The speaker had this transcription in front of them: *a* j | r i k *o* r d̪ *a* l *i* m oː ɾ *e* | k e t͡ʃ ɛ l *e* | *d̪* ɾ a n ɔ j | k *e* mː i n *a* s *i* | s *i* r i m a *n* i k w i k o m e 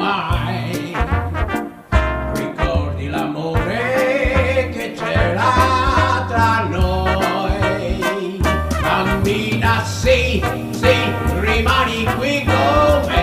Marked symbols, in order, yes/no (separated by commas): yes, no, no, no, yes, no, no, no, yes, yes, yes, yes